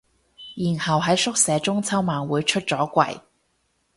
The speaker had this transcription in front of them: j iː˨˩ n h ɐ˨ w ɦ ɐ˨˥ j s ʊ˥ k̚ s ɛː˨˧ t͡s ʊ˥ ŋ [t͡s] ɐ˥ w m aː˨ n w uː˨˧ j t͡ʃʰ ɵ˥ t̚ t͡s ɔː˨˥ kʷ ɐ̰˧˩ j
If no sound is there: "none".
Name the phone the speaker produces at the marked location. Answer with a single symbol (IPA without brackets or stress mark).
t͡sʰ